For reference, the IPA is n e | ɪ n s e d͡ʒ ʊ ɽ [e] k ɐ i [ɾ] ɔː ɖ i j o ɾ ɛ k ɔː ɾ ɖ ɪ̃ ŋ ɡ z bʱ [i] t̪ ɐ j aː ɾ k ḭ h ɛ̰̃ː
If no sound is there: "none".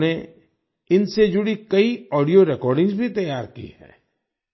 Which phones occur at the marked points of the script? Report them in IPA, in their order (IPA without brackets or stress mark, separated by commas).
i, none, i